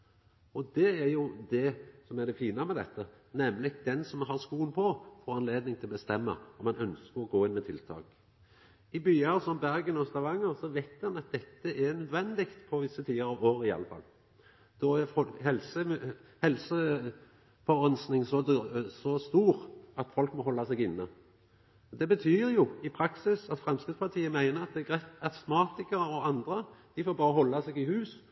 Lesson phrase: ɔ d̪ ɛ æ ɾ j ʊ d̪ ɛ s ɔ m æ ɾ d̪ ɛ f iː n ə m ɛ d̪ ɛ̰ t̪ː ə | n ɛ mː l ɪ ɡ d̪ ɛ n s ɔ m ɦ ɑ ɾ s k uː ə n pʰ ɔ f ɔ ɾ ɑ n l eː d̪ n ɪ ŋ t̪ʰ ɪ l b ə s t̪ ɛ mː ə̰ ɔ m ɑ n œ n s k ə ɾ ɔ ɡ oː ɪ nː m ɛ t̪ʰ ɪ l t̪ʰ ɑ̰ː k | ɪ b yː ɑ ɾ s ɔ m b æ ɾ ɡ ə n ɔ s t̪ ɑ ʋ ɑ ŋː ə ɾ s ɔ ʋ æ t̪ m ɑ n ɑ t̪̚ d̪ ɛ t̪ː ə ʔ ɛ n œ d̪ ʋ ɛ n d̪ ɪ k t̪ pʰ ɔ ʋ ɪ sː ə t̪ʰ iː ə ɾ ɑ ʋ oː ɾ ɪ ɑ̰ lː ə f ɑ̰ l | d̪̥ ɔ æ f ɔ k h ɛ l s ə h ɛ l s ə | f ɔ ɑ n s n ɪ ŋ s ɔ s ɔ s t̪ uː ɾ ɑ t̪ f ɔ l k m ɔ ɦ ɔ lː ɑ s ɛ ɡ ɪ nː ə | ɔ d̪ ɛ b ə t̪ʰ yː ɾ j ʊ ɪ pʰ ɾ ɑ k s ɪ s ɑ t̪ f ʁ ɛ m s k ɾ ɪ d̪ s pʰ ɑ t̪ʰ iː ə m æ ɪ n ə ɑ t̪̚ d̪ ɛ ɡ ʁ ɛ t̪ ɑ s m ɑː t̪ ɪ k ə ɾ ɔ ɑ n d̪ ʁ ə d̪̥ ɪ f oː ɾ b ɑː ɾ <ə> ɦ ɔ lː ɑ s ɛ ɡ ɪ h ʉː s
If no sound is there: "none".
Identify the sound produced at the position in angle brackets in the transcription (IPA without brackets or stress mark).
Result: ə